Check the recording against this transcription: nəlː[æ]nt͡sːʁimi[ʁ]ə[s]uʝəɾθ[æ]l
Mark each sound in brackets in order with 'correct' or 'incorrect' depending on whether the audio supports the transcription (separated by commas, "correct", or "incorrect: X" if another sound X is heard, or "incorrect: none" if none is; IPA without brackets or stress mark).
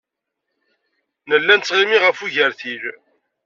correct, correct, incorrect: f, incorrect: i